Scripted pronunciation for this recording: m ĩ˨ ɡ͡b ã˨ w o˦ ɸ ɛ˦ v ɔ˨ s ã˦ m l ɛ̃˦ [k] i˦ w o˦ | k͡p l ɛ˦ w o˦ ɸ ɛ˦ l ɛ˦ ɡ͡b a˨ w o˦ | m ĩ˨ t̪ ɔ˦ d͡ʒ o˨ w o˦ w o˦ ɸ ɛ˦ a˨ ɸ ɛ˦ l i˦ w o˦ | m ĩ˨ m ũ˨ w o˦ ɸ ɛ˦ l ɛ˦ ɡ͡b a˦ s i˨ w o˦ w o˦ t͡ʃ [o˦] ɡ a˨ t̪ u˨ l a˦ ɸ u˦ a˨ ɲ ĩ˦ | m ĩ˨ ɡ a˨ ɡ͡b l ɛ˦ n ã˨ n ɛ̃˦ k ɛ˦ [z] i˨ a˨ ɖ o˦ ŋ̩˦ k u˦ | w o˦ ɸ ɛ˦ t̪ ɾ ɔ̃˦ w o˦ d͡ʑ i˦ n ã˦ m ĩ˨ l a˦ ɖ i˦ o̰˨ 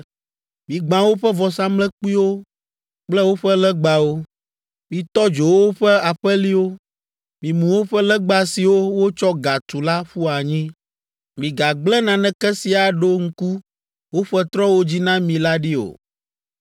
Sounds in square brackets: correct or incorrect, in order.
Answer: incorrect: k͡p, incorrect: ɔ˦, incorrect: s

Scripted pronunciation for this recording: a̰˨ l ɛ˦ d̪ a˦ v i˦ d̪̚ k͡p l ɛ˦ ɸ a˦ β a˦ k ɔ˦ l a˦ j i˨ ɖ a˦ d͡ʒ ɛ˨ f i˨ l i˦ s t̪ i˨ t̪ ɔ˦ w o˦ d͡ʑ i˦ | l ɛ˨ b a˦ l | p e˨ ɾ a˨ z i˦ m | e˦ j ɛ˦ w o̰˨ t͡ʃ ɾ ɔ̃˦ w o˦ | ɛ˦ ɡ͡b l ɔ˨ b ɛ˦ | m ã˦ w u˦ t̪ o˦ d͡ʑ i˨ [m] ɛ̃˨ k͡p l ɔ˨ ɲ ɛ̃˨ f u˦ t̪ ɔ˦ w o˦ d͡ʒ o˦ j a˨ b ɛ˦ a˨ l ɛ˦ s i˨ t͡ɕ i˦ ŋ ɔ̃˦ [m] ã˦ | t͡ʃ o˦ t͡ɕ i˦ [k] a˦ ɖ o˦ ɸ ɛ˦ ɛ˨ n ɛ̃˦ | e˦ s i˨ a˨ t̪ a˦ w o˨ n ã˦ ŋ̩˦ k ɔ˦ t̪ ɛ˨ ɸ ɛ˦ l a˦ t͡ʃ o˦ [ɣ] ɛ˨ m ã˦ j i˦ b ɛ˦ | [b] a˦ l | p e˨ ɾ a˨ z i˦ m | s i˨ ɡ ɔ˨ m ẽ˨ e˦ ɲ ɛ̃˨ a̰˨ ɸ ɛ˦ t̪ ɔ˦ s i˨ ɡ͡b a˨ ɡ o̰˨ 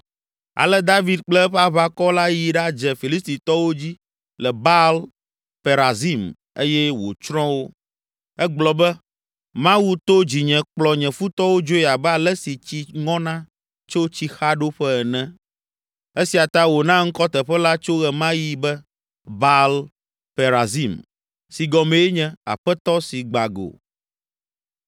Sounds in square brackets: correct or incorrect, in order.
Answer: incorrect: ɲ, incorrect: n, incorrect: x, correct, correct

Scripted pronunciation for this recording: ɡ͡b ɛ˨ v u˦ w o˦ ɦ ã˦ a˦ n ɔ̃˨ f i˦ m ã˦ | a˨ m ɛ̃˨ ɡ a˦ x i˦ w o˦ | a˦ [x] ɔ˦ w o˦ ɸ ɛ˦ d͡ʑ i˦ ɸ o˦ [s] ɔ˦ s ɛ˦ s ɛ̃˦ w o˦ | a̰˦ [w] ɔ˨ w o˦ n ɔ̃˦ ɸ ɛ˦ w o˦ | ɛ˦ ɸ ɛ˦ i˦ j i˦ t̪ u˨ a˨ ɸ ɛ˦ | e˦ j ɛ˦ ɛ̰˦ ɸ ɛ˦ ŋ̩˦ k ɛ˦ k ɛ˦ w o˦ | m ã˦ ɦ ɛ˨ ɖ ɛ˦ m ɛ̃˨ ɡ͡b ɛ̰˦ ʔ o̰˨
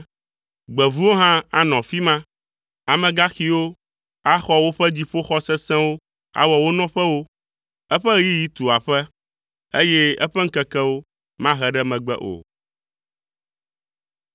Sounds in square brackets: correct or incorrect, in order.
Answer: correct, incorrect: x, correct

